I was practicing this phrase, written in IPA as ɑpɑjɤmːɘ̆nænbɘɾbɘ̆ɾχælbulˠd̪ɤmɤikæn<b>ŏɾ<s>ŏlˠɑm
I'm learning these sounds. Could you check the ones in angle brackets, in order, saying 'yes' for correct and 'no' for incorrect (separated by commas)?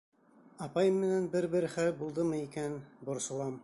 yes, yes